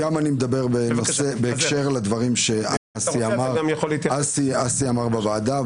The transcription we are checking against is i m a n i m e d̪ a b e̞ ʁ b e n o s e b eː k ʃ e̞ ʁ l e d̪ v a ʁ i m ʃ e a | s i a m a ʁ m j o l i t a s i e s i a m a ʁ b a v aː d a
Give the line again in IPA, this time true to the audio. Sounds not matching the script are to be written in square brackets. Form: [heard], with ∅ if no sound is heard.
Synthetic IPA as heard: [a] m a n i m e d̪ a b e̞ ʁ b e n o s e b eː k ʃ e̞ ʁ l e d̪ v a ʁ i m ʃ e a | s i a m a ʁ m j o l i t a s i [a] s i a m a ʁ b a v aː d a